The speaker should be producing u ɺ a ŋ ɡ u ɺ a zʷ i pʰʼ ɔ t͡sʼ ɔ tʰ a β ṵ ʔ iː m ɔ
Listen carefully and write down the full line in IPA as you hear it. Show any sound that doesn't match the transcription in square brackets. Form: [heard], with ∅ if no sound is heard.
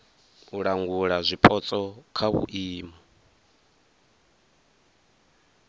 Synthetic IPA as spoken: u ɺ a ŋ ɡ u ɺ a zʷ i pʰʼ ɔ t͡sʼ ɔ [kʰ] a β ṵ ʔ iː m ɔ